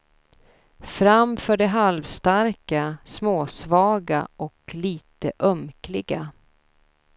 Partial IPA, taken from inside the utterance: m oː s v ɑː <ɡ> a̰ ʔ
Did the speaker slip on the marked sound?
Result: no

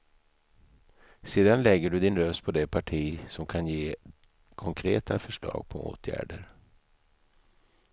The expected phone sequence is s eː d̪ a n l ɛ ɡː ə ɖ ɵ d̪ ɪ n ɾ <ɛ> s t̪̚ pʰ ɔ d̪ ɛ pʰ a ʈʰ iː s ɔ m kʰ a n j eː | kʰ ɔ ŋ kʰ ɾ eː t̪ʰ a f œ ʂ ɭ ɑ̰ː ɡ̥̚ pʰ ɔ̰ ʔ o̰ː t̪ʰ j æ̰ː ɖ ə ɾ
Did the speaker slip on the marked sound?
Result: yes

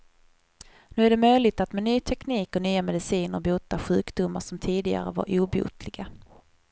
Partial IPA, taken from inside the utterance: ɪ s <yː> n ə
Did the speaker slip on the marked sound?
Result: yes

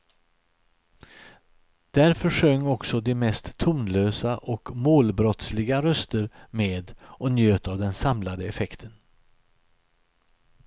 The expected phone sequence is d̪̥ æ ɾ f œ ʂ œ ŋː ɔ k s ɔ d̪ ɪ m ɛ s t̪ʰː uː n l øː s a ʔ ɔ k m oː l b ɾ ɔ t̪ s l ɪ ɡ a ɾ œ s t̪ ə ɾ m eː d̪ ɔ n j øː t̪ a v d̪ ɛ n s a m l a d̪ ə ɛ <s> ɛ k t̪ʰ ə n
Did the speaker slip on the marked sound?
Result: yes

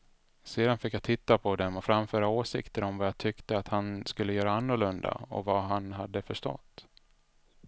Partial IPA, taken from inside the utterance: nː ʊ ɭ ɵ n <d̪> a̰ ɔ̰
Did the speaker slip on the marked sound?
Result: no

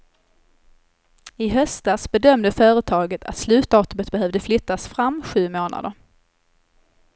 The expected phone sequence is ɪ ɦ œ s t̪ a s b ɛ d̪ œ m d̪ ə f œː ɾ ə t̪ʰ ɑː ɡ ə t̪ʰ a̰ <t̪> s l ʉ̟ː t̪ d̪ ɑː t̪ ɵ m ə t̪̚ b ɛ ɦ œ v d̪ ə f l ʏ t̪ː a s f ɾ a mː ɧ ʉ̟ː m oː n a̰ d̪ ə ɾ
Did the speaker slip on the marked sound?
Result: no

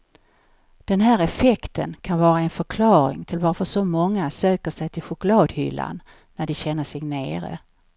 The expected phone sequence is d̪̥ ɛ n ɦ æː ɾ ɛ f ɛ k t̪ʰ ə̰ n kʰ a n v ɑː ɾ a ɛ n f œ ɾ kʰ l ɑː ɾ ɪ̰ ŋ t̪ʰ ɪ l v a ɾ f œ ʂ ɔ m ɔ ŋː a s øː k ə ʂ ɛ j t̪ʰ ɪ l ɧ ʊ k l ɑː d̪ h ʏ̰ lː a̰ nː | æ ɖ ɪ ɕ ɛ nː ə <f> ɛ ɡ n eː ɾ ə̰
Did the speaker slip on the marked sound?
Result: yes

